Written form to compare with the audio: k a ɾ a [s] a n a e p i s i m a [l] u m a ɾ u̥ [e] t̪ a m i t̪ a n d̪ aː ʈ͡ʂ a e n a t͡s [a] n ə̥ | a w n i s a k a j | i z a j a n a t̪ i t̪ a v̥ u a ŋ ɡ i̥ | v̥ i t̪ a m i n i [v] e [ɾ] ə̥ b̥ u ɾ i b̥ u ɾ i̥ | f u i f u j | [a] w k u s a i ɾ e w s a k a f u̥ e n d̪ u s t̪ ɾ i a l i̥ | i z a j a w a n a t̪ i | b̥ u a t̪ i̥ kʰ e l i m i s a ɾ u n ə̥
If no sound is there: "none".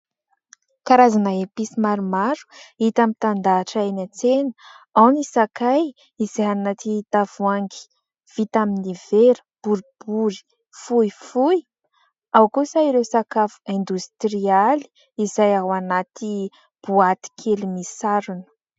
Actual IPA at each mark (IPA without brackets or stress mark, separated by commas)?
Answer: z, ɾ, i, e, v, ɾ, a